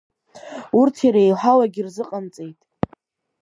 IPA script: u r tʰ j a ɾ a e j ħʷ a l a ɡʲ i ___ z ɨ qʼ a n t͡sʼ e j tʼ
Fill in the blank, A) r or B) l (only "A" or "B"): A